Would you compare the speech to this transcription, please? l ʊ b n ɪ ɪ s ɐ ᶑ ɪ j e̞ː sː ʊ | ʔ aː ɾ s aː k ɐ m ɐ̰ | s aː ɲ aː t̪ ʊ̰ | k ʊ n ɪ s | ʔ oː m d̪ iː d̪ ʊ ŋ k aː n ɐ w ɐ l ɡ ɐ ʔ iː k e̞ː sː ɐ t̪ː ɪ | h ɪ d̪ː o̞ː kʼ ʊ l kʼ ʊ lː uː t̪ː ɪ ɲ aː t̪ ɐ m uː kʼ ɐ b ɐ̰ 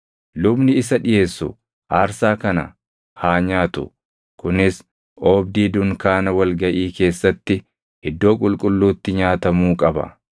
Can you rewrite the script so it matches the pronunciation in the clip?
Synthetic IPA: l ʊ b n ɪ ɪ s ɐ ᶑ ɪ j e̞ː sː ʊ | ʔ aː ɾ s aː k ɐ n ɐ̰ | h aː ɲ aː t̪ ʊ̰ | k ʊ n ɪ s | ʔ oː b d̪ iː d̪ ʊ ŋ k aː n ɐ w ɐ l ɡ ɐ ʔ iː k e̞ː sː ɐ t̪ː ɪ | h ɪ d̪ː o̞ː kʼ ʊ l kʼ ʊ lː uː t̪ː ɪ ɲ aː t̪ ɐ m uː kʼ ɐ b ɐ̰